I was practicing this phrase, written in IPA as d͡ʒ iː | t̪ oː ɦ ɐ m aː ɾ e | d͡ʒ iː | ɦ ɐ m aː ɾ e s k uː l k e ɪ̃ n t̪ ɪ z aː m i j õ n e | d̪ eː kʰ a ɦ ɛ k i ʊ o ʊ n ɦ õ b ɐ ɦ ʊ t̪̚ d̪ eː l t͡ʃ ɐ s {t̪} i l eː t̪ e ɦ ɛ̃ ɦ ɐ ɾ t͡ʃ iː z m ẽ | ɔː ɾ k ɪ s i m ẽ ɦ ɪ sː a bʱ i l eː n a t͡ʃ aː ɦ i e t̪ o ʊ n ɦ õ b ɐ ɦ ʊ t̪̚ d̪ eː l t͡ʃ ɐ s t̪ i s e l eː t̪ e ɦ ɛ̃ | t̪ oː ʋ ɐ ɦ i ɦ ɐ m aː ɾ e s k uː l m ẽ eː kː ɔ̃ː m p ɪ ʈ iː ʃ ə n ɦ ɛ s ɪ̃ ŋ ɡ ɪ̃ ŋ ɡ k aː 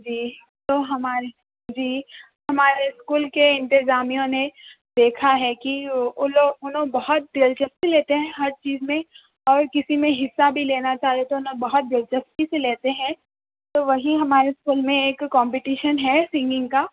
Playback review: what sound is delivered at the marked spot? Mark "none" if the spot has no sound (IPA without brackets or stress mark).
t̪